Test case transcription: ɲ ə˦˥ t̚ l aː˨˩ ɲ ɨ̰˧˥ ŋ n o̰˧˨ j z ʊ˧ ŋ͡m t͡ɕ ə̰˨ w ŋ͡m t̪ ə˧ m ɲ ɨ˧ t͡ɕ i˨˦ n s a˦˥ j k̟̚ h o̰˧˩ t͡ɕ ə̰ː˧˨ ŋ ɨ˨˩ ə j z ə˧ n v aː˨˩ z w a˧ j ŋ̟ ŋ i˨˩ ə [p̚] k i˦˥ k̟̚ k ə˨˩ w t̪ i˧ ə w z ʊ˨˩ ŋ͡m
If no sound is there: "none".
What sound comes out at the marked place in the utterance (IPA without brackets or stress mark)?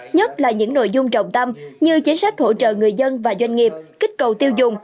p̚